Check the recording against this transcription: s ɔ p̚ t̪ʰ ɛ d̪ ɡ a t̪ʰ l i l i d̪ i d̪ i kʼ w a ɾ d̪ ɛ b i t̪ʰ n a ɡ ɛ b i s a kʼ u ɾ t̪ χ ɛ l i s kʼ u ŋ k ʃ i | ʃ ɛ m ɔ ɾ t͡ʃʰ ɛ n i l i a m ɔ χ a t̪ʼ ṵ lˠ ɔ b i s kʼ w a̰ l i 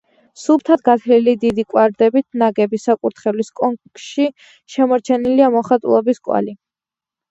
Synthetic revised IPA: s u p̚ t̪ʰ a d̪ ɡ a t̪ʰ l i l i d̪ i d̪ i kʼ w a ɾ d̪ ɛ b i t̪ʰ n a ɡ ɛ b i s a kʼ u ɾ t̪ χ ɛ l i s kʼ ɔ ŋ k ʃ i | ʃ ɛ m ɔ ɾ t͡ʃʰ ɛ n i l i a m ɔ χ a t̪ʼ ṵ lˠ ɔ b i s kʼ w a̰ l i